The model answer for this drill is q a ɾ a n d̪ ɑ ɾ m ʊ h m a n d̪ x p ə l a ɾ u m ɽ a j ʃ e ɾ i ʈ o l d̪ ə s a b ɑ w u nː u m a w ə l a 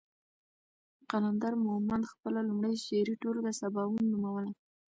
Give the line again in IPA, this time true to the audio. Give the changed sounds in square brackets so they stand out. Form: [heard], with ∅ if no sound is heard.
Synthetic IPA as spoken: q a [l] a n d̪ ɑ ɾ m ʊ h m a n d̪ x p ə l a [l] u m ɽ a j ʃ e ɾ i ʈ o l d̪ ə s a b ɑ w u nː u m a w ə l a